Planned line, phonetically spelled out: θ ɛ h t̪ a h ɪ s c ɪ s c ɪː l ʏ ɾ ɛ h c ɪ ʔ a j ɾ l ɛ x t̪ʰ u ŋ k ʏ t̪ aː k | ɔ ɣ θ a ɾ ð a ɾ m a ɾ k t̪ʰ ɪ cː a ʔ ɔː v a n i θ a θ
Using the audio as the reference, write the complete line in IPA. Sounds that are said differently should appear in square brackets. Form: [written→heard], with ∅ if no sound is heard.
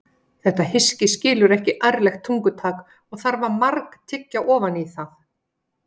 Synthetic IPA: θ ɛ h t̪ a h ɪ s c ɪ s c ɪː l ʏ ɾ ɛ h c ɪ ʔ a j ɾ l ɛ x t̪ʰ u ŋ k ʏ [t̪→t̪ʰ] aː k | ɔ ɣ θ a ɾ [ð→v] a ɾ m a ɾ k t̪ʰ ɪ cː a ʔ ɔː v a n i θ a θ